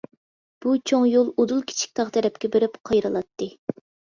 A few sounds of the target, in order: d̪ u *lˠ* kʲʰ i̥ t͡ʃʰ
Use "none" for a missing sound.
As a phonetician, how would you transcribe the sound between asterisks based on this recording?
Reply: lˠ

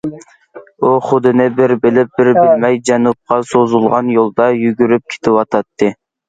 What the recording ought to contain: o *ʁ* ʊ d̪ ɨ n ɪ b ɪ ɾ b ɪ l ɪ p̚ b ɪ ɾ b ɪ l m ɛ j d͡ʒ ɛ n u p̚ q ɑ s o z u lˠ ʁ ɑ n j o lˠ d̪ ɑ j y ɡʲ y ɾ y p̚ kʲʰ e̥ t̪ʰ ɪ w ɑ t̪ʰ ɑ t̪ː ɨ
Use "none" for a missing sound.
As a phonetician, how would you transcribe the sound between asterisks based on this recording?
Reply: χ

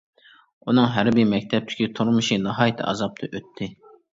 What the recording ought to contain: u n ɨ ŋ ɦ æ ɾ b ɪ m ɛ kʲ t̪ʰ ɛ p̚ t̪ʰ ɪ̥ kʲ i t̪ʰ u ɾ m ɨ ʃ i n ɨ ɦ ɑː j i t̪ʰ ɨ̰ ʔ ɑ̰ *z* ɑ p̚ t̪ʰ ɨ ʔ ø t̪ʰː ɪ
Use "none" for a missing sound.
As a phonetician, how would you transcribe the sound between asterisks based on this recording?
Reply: z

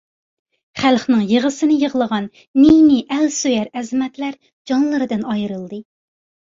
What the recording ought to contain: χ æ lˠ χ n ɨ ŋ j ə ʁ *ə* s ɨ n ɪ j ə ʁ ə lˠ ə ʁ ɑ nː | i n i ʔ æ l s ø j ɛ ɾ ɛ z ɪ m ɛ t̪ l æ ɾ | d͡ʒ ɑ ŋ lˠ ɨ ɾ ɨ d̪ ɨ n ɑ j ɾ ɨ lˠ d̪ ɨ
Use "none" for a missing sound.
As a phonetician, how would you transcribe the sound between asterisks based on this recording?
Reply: ə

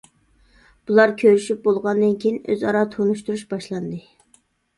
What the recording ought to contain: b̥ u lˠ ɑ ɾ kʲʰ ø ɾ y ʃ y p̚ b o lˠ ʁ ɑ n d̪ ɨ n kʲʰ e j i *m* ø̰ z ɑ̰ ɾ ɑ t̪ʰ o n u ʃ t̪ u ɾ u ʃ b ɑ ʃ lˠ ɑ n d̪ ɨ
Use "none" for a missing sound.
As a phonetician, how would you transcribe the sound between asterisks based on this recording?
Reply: n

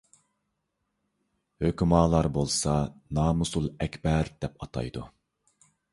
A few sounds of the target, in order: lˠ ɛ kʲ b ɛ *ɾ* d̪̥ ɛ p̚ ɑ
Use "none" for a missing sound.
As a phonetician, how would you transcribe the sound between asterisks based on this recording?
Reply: ɾ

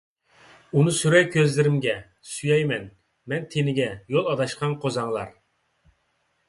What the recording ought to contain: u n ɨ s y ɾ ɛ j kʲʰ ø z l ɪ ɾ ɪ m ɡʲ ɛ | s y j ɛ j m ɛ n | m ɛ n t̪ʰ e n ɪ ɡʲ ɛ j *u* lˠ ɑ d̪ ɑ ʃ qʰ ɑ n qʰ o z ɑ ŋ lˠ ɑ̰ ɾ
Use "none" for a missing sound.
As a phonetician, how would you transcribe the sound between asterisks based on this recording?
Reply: o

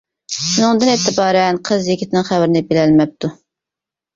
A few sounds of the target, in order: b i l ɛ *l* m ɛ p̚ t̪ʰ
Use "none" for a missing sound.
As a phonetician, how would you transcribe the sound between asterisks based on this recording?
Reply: l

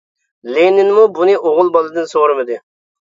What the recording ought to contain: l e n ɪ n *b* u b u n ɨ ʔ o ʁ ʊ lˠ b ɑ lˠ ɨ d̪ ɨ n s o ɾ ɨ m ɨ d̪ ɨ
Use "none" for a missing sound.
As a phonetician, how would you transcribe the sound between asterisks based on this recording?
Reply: m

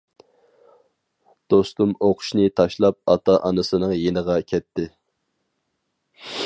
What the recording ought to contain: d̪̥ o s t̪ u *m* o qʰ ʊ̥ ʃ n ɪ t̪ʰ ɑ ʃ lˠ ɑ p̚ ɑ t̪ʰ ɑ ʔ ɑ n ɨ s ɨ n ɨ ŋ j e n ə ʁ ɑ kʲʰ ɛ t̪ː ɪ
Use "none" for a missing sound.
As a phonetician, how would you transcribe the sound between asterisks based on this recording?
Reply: m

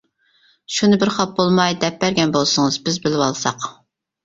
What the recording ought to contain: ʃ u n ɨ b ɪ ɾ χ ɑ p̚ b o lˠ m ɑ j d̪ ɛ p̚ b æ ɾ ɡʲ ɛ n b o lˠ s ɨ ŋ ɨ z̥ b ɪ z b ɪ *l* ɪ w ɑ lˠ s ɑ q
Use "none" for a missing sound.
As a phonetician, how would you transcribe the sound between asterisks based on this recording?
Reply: l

